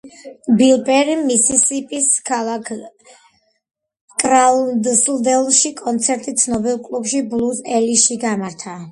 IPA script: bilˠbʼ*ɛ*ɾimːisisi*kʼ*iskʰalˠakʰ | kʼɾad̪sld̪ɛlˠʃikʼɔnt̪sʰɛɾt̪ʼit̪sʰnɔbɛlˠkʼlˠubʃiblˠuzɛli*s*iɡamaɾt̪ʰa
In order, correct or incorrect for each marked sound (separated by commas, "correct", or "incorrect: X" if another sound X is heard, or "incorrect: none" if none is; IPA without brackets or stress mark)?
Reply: correct, incorrect: pʼ, incorrect: ʃ